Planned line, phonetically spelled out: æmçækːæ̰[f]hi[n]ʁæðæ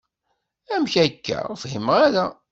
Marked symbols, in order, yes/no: yes, no

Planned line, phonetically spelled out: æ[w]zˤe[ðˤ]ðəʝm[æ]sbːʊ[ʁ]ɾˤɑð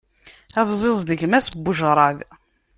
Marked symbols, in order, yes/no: no, no, yes, no

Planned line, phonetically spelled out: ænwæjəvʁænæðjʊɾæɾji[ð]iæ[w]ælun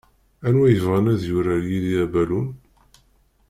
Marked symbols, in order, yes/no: yes, no

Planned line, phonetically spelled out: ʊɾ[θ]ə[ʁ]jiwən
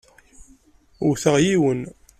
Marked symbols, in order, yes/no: yes, yes

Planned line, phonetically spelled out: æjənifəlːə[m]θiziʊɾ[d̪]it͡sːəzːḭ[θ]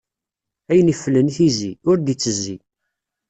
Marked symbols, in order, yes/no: no, yes, no

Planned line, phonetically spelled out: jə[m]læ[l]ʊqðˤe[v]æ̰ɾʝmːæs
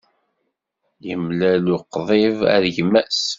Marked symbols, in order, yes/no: yes, yes, yes

